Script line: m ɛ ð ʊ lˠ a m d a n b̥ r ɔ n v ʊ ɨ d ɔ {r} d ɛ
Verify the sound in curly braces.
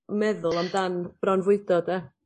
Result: incorrect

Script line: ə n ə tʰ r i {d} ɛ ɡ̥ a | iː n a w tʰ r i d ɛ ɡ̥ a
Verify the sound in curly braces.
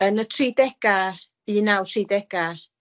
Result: correct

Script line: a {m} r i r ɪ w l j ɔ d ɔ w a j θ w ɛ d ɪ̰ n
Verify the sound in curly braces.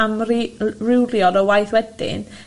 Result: correct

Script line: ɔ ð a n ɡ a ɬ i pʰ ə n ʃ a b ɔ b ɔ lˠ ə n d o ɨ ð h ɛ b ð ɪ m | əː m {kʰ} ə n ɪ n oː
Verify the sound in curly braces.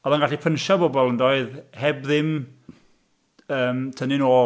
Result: incorrect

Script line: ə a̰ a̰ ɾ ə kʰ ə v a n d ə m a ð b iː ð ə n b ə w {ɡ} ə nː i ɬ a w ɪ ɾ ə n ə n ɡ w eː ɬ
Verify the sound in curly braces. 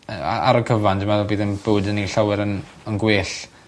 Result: incorrect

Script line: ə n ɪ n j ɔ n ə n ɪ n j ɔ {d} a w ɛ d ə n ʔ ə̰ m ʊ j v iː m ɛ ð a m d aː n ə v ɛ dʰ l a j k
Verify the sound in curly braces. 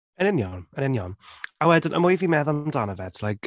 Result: incorrect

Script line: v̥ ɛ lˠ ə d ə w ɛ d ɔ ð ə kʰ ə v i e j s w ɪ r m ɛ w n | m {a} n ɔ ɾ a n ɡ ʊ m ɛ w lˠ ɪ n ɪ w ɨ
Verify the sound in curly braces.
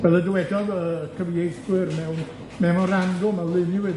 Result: incorrect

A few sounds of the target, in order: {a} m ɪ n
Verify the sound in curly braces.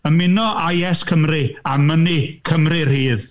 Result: incorrect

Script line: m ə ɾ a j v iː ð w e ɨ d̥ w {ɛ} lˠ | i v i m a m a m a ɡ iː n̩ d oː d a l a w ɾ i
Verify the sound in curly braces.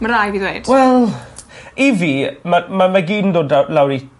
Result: correct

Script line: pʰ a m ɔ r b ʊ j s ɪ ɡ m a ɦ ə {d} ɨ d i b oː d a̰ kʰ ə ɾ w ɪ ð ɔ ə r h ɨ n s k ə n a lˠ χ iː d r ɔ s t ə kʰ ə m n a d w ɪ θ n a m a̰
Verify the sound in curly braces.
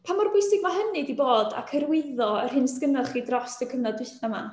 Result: incorrect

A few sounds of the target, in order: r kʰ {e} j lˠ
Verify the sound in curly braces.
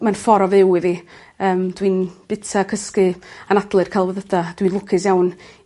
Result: incorrect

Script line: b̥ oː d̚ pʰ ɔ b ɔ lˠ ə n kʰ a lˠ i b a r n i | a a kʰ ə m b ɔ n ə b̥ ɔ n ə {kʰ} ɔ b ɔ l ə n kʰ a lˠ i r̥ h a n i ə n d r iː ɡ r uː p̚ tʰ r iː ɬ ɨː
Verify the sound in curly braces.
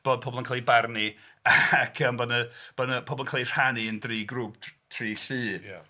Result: incorrect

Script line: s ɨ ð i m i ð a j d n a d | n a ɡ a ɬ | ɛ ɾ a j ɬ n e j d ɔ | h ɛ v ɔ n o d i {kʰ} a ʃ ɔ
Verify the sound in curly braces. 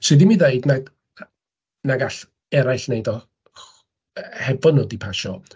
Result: incorrect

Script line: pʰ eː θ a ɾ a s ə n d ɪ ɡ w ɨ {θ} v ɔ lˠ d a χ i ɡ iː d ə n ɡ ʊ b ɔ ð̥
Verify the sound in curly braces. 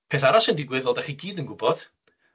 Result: incorrect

